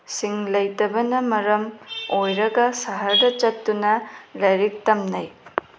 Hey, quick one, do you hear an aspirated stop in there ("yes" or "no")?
no